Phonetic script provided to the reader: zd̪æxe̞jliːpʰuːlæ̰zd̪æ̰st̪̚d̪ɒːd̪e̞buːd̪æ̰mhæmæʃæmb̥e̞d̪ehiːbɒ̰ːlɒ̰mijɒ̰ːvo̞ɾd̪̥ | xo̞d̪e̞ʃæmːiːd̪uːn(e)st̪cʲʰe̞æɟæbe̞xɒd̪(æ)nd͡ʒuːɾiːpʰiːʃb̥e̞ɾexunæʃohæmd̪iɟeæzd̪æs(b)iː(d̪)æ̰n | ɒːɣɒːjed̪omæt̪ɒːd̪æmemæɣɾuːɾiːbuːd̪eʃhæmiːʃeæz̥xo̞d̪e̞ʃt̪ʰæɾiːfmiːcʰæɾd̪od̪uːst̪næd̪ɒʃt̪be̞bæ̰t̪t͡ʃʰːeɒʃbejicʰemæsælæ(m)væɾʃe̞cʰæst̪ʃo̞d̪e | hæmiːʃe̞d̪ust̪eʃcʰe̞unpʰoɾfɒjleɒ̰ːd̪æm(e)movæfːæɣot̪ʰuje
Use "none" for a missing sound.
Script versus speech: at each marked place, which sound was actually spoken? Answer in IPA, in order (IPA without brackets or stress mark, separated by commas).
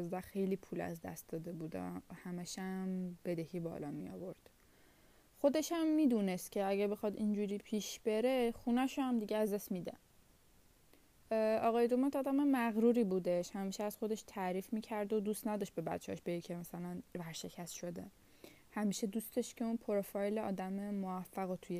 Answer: e, i, m, d̪, n, e